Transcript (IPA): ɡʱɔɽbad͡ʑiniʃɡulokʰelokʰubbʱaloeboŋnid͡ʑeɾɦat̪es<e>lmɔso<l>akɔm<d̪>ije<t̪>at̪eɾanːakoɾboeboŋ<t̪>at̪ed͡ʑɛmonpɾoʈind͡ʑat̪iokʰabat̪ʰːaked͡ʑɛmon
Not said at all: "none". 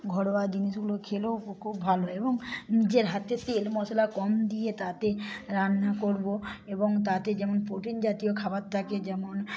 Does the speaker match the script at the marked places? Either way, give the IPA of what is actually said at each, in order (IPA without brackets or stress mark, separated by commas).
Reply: e, l, d̪, t̪, t̪